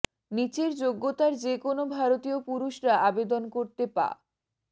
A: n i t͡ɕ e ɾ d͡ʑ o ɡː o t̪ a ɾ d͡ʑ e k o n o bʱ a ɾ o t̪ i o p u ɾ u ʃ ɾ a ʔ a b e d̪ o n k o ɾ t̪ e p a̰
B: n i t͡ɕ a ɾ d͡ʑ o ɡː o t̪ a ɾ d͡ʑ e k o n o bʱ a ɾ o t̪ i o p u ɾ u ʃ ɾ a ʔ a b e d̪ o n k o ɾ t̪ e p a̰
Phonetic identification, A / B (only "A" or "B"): A